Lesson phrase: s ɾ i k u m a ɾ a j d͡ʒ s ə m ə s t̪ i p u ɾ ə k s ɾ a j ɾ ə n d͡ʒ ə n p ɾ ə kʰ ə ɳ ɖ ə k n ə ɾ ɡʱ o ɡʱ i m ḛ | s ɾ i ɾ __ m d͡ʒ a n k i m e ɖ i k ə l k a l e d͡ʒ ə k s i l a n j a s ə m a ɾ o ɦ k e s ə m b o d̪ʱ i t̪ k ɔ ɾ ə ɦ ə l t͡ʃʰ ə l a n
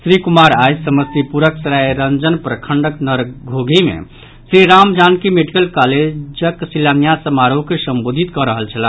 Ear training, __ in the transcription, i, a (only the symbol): a